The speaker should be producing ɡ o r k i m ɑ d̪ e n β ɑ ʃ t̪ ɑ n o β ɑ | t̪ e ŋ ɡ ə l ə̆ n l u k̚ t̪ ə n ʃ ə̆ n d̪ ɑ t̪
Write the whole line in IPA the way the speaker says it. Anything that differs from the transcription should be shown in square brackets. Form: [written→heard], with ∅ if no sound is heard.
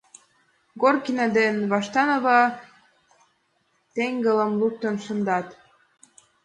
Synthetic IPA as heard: ɡ o r k i [m→n] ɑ d̪ e n β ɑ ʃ t̪ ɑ n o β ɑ | t̪ e ŋ ɡ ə l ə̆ [n→m] l u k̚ t̪ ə n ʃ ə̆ n d̪ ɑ t̪